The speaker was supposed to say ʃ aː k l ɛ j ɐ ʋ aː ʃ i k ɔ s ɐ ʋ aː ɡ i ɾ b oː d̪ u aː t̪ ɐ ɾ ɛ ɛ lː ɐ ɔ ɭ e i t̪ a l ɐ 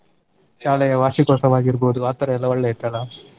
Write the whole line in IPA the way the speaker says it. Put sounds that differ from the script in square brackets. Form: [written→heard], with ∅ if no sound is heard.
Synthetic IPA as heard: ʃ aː [k→∅] l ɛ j ɐ ʋ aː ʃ i k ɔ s ɐ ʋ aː ɡ i ɾ b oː d̪ u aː t̪ ɐ ɾ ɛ ɛ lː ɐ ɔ [ɭ→ɭː] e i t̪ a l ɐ